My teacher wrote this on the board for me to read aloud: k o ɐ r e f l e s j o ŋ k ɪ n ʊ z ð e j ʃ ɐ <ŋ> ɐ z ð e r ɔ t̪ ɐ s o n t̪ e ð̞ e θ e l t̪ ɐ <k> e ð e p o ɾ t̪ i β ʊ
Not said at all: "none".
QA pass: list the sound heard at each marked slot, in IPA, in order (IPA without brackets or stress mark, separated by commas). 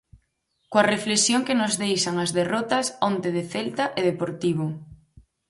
ŋ, ʔ